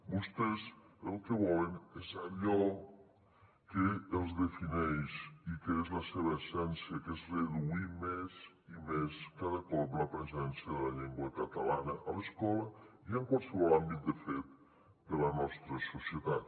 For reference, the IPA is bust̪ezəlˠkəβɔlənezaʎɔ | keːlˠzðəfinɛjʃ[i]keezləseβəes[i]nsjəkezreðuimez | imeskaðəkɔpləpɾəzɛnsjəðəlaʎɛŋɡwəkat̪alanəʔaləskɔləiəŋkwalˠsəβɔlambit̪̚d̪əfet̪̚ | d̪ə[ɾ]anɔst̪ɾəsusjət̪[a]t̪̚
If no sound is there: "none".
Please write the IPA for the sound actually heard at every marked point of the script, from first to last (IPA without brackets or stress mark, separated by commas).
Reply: i, ɛ, l, a